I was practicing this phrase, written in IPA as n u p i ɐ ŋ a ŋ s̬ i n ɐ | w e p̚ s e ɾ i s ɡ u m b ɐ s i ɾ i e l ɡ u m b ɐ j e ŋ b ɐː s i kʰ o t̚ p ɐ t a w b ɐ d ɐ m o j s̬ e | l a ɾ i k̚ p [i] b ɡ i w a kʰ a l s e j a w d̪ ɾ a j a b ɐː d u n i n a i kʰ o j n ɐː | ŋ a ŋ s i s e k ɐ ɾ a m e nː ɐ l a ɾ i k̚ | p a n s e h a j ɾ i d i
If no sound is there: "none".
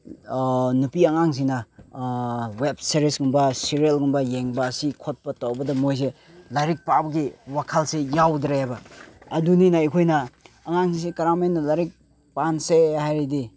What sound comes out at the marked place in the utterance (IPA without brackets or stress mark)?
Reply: a